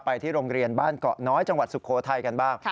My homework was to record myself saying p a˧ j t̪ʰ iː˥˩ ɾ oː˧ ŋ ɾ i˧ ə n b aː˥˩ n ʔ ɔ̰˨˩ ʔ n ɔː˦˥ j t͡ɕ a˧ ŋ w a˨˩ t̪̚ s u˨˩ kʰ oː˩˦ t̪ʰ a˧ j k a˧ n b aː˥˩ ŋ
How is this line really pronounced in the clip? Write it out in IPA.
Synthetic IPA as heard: p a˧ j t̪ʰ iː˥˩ ɾ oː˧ ŋ ɾ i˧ ə n b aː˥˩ n k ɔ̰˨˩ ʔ n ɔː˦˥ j t͡ɕ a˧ ŋ w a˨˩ t̪̚ s u˨˩ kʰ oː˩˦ t̪ʰ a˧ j k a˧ n b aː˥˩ ŋ